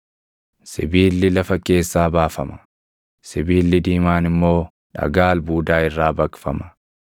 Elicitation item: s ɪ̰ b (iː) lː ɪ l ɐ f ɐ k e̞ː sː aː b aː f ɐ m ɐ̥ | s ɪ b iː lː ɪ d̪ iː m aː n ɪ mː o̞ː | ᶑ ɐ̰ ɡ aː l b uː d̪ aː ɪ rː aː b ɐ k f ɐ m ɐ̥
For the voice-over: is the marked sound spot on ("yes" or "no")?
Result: yes